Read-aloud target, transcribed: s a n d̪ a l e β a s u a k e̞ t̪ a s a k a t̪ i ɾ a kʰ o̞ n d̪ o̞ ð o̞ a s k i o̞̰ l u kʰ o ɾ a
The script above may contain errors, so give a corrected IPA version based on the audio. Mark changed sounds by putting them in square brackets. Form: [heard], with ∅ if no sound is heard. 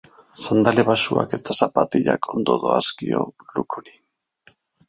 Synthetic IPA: s a n d̪ a l e β a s u a k e̞ t̪ a s a [p] a t̪ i [ʎ] a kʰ o̞ n d̪ o̞ ð o̞ a s k i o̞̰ l u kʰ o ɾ [i]